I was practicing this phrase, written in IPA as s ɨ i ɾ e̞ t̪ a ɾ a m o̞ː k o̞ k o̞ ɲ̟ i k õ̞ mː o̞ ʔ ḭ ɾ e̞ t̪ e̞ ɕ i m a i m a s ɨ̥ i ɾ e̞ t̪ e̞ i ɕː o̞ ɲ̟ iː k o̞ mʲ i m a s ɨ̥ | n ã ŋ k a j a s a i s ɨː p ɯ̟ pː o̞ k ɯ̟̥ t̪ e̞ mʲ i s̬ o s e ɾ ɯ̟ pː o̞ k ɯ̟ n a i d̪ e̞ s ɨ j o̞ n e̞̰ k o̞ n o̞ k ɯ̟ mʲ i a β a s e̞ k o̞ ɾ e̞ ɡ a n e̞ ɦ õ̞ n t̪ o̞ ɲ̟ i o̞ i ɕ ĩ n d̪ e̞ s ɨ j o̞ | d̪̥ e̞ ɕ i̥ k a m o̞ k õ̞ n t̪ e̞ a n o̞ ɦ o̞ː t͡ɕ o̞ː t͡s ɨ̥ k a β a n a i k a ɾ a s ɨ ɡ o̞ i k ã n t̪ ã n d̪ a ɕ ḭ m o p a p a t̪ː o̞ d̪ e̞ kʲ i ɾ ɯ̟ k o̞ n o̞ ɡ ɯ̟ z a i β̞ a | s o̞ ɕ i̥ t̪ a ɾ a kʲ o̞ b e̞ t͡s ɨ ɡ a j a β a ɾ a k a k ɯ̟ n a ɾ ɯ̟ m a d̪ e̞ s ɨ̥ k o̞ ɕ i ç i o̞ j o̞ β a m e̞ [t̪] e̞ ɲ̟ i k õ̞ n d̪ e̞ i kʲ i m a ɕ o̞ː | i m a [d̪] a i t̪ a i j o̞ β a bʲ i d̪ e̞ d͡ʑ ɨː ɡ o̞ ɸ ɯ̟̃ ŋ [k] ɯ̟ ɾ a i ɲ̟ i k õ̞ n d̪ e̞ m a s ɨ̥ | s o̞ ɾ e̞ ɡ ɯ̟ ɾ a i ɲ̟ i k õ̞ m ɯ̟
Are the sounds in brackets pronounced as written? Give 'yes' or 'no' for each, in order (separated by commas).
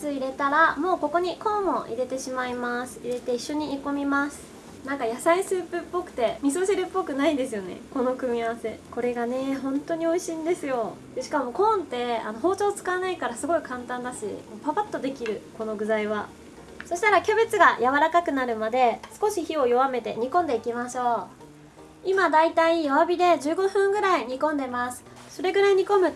yes, yes, no